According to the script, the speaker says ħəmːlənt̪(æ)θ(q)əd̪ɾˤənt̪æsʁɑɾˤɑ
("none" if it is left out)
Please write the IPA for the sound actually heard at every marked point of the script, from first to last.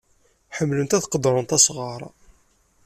æ, q

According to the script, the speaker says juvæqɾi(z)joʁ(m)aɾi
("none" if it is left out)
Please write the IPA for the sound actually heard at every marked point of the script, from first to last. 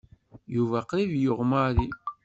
v, m

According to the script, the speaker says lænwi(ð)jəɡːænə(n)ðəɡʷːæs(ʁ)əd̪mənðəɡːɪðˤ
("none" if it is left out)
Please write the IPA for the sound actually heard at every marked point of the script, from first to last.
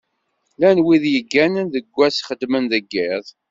ð, n, χ

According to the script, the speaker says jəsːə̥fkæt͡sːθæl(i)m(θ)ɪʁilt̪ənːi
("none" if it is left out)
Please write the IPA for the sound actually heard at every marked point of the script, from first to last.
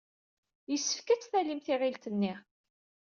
i, θ

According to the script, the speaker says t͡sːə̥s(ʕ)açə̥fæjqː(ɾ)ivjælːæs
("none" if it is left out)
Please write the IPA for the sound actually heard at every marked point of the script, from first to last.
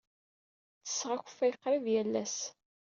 ʁ, ɾ

